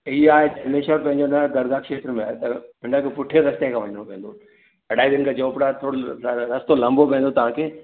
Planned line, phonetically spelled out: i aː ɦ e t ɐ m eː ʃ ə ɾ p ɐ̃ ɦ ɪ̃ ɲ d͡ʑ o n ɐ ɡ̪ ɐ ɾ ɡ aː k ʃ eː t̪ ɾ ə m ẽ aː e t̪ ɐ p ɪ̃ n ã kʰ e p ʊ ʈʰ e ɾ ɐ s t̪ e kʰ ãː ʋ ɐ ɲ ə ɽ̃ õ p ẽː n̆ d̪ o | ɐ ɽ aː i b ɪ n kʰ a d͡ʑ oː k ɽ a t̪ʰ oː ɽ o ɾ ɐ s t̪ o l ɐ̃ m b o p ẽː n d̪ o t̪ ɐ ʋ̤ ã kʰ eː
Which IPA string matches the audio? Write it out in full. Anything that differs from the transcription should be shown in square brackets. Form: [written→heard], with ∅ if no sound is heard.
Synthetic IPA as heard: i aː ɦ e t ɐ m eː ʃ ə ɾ p ɐ̃ ɦ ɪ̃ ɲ d͡ʑ o n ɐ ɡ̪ ɐ ɾ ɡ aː k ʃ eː t̪ ɾ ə m ẽ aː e t̪ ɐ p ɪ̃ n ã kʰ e p ʊ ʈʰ e ɾ ɐ s t̪ e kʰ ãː ʋ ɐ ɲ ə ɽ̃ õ p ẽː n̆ d̪ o | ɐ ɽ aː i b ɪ n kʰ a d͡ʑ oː [k→p] ɽ a t̪ʰ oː ɽ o ɾ ɐ s t̪ o l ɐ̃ m b o p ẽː n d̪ o t̪ ɐ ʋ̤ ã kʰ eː